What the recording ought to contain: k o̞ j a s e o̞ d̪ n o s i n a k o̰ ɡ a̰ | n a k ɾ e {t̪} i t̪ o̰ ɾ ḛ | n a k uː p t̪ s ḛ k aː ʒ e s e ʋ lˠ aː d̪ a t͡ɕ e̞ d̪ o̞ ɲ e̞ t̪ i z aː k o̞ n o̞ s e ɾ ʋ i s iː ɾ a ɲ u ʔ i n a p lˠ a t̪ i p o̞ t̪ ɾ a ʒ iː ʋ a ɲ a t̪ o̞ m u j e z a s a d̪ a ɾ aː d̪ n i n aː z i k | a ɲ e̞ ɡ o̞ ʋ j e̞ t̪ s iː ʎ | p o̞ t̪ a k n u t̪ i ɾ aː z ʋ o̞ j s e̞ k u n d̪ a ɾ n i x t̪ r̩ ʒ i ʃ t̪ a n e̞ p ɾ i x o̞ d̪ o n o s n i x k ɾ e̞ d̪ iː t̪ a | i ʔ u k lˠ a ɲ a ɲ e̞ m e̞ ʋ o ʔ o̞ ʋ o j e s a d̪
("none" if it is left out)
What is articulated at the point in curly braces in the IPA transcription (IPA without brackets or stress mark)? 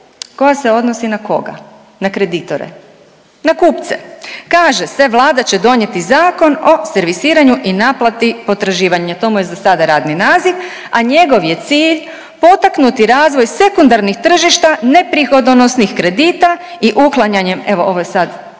d̪